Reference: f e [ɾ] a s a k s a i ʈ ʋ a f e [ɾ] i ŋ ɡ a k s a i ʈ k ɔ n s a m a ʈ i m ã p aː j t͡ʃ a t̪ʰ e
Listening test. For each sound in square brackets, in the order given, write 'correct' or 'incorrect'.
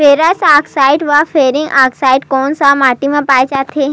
correct, correct

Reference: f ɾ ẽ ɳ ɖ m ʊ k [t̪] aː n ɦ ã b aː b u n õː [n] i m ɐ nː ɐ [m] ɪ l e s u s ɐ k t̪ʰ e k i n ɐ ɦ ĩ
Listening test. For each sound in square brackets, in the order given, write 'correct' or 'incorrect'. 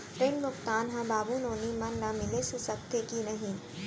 correct, correct, correct

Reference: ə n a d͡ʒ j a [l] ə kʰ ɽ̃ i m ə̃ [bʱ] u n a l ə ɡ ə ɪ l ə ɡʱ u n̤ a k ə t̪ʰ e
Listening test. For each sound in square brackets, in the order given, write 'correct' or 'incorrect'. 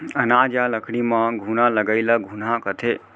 correct, incorrect: ɡʱ

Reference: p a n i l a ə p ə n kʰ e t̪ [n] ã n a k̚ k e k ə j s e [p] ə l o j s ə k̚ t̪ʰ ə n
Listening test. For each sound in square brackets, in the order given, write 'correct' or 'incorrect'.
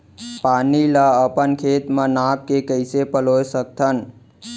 incorrect: m, correct

